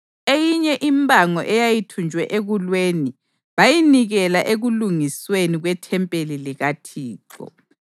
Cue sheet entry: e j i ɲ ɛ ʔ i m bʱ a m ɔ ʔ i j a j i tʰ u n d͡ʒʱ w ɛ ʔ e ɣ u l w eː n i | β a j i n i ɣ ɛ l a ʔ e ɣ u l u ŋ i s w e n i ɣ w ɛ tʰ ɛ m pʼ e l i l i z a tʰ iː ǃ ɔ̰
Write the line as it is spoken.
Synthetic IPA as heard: e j i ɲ ɛ ʔ i m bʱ a ŋ ɔ ʔ ɛ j a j i tʰ u n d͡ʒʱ w ɛ ʔ e ɣ u l w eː n i | β a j i n i ɣ ɛ l a ʔ e ɣ u l u ŋ i s w e n i ɣ w ɛ tʰ ɛ m pʼ e l i l i ɣ a tʰ iː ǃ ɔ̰